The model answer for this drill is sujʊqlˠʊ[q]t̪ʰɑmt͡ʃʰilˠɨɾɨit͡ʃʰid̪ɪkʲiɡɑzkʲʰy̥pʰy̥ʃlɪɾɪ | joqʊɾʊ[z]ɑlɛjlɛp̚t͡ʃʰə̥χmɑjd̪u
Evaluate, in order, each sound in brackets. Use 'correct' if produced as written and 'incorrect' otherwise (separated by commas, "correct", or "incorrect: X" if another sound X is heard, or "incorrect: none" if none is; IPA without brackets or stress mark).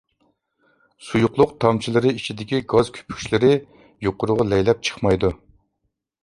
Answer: correct, incorrect: ʁ